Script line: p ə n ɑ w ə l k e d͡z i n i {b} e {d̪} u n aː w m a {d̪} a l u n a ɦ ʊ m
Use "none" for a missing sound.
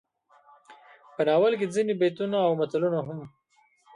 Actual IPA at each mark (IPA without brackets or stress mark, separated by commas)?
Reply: b, t̪, t̪